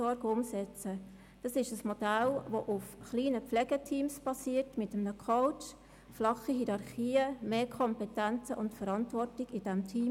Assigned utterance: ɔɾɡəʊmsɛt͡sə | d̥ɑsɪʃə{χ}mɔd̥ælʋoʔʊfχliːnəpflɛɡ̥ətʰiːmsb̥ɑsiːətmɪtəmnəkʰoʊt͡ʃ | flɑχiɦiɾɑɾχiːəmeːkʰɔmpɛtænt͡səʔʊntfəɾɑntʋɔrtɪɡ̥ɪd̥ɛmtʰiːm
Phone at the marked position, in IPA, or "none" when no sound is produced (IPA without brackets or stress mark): s